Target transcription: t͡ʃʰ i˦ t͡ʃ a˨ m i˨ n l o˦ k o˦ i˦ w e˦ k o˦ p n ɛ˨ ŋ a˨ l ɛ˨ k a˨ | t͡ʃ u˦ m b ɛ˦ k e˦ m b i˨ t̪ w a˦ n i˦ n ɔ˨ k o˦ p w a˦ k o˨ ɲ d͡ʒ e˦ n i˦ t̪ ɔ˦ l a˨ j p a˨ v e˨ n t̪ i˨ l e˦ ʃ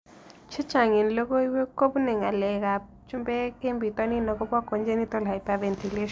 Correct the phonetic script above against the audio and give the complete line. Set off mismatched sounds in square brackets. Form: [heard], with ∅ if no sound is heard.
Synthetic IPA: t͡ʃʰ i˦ t͡ʃ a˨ [ŋ] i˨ n l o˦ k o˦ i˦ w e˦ k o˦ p n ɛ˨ ŋ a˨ l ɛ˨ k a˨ | t͡ʃ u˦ m b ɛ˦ k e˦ m b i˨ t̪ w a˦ n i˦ n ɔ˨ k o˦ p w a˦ k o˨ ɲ d͡ʒ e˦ n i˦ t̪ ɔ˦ l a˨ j p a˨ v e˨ n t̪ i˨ l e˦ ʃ